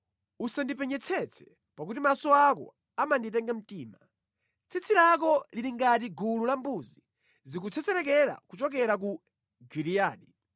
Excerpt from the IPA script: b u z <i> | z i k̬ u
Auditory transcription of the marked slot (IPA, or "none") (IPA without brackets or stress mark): i